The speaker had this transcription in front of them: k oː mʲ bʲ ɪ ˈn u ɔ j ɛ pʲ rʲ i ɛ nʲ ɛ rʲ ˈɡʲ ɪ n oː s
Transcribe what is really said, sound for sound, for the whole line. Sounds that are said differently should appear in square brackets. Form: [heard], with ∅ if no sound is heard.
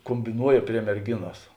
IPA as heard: k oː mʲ bʲ ɪ ˈn u ɔ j ɛ pʲ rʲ i ɛ [mʲ] ɛ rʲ ˈɡʲ ɪ n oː s